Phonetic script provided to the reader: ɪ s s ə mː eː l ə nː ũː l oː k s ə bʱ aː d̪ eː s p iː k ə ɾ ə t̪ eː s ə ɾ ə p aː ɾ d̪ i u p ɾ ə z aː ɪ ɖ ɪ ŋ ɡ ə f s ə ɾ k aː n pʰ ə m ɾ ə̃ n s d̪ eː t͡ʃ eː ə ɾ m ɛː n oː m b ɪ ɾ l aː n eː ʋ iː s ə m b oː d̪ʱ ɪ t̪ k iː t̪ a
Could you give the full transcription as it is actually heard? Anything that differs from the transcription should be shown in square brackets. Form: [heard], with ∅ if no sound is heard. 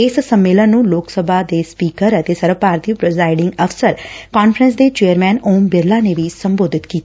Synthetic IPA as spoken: ɪ s s ə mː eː l ə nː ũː l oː k s ə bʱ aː d̪ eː s p iː k ə ɾ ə t̪ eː s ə ɾ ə p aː ɾ [t̪] i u p ɾ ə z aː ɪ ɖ ɪ ŋ ɡ ə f s ə ɾ k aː n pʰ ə [∅] ɾ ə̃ n s d̪ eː t͡ʃ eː ə ɾ m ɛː n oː m b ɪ ɾ l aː n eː ʋ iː s ə m b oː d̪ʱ ɪ t̪ k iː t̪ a